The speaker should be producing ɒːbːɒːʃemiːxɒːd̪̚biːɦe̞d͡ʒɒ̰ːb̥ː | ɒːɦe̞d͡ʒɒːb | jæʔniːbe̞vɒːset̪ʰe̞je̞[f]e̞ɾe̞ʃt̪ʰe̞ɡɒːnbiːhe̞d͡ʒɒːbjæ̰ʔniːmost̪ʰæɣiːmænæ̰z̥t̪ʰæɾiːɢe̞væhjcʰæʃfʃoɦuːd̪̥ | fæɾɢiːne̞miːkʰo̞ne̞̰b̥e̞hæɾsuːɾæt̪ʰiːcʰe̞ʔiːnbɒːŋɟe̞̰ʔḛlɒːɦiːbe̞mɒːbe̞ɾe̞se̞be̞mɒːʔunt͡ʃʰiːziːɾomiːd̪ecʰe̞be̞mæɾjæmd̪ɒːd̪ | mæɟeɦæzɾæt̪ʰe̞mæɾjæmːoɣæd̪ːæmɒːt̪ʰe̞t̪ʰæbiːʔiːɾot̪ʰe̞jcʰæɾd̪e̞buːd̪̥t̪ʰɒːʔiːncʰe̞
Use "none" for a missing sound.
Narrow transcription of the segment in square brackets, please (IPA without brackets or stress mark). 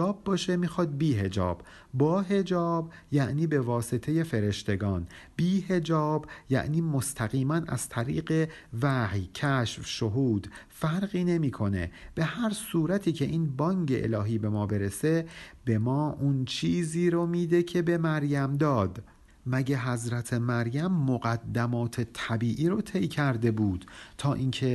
f